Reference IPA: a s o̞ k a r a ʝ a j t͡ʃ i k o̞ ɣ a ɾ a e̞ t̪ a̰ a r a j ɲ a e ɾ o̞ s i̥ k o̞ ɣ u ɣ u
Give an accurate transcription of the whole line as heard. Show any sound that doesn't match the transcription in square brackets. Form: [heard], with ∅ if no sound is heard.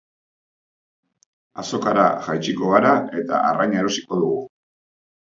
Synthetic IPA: a s o̞ k a [ɾ] a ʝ a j t͡ʃ i k o̞ ɣ a ɾ a e̞ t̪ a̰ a r a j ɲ a e ɾ o̞ s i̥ k o̞ [ð] u ɣ u